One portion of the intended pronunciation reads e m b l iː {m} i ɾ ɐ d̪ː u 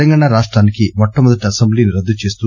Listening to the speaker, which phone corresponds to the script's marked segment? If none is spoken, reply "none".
n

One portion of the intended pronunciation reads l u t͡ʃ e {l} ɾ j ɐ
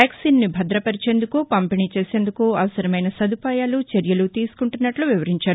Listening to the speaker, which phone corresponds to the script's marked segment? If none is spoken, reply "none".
none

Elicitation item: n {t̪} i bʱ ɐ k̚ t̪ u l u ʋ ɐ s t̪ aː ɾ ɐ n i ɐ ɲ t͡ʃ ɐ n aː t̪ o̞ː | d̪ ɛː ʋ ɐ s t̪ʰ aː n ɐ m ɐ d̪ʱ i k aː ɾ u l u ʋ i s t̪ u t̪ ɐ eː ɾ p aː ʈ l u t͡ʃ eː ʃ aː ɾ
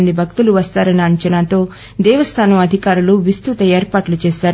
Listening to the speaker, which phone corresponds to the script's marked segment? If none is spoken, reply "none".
d̪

